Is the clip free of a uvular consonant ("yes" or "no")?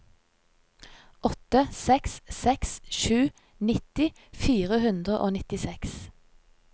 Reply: no